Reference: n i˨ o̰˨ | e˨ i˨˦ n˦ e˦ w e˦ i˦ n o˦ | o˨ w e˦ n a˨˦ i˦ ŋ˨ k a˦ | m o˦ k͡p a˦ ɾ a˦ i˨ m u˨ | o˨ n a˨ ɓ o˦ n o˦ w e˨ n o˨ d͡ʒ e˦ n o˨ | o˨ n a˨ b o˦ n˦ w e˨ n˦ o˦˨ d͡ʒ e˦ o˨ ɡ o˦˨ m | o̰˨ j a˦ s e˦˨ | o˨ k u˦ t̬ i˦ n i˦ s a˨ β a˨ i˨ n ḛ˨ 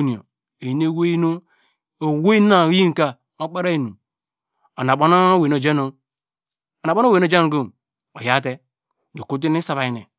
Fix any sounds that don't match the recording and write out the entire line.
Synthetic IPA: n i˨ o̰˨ | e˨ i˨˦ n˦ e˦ w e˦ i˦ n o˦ | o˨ w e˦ n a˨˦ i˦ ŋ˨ k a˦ | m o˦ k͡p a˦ ɾ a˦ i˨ n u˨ | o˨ n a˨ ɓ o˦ n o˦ w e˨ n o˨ d͡ʒ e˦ n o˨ | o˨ n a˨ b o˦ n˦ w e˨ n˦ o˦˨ d͡ʒ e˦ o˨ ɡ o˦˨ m | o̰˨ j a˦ t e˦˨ | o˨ k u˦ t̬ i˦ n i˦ s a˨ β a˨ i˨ n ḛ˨